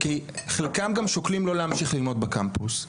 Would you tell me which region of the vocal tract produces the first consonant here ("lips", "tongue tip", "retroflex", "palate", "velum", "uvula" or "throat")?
velum